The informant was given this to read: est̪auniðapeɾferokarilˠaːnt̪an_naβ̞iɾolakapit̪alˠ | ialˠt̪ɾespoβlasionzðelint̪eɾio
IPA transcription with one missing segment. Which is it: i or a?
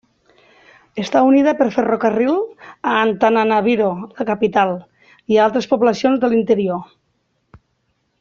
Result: a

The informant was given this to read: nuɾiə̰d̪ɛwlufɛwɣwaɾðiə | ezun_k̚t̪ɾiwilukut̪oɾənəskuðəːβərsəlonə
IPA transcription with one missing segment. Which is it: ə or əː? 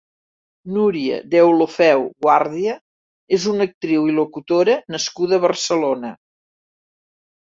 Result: ə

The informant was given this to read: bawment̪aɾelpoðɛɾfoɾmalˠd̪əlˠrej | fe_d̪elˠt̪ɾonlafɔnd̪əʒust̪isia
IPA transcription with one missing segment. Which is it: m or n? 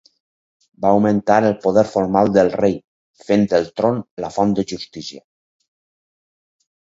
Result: n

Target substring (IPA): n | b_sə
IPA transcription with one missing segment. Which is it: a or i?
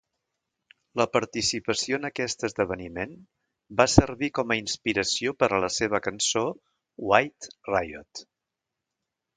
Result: a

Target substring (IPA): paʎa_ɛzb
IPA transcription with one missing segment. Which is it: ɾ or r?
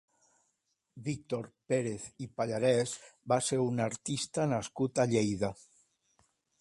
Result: ɾ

